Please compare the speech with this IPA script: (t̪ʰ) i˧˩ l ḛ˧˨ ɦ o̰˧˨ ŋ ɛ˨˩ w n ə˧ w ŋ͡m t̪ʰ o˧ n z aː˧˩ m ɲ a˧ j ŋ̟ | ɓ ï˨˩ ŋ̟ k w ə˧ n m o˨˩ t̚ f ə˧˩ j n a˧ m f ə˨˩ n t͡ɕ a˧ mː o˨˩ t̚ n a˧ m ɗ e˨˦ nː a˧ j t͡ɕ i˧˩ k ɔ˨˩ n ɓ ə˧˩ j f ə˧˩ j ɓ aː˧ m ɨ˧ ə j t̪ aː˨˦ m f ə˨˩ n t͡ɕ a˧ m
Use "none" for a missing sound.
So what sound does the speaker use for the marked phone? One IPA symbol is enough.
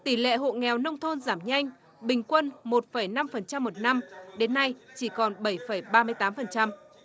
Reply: t̪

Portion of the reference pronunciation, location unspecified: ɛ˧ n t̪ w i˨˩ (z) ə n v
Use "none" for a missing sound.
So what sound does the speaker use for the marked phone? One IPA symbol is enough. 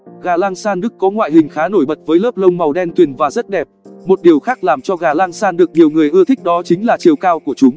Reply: none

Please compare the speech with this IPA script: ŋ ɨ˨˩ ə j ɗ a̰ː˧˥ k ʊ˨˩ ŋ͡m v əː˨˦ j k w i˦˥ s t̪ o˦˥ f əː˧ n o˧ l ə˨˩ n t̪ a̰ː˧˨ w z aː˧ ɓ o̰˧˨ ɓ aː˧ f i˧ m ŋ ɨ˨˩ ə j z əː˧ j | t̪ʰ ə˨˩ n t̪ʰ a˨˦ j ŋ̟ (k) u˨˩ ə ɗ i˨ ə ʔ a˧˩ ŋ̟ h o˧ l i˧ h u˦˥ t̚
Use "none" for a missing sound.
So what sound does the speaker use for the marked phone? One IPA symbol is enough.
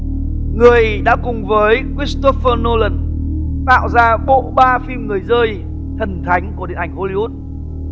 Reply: k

